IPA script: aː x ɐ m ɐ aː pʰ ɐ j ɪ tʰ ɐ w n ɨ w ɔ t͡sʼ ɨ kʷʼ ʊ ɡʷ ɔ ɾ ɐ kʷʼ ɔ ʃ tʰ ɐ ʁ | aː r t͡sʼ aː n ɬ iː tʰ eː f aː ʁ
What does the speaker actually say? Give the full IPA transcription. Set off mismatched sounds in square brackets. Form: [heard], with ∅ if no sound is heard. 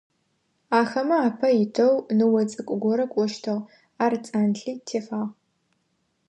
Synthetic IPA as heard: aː x ɐ m ɐ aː pʰ ɐ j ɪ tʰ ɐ w n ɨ w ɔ t͡sʼ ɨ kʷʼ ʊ ɡʷ ɔ ɾ ɐ kʷʼ ɔ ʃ tʰ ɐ ʁ | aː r t͡sʼ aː n ɬ iː tʰ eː f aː ʁ

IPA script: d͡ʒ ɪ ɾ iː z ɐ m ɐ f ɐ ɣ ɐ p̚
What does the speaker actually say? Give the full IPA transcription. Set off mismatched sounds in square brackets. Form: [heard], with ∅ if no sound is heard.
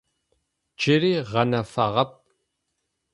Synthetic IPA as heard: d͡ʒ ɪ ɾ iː [ʁ] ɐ [n] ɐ f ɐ [ʁ] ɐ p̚

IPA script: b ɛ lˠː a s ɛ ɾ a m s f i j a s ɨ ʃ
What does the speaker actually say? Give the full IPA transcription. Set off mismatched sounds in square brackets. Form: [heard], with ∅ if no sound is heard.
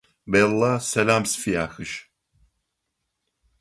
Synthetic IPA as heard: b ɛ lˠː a s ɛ [l] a m s f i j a [x] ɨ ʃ

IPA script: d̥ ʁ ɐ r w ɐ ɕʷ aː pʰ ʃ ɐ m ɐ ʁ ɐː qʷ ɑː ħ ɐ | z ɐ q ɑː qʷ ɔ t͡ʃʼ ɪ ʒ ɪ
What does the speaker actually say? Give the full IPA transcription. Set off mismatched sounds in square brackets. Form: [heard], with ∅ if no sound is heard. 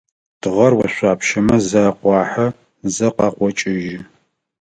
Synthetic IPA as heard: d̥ ʁ ɐ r w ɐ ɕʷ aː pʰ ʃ ɐ m ɐ [z] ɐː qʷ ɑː ħ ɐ | z ɐ q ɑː qʷ ɔ t͡ʃʼ ɪ ʒ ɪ

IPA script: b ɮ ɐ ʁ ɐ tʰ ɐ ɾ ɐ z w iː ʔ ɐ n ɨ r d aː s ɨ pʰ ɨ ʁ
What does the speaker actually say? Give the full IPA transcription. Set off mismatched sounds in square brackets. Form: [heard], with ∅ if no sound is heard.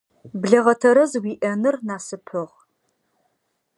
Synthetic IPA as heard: b ɮ ɐ ʁ ɐ tʰ ɐ ɾ ɐ z w iː ʔ ɐ n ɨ r [n] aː s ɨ pʰ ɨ ʁ

